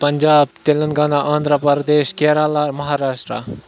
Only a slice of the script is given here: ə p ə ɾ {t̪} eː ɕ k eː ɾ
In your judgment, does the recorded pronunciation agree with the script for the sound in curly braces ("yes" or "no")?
no